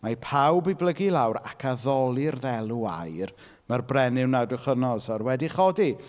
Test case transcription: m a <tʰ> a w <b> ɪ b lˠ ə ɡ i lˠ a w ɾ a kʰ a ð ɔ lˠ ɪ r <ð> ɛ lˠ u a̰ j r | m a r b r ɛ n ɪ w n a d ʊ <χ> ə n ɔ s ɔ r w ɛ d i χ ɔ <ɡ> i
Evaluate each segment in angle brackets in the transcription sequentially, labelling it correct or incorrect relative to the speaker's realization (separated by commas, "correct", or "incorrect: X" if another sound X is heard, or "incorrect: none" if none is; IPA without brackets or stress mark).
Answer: incorrect: pʰ, correct, correct, correct, incorrect: d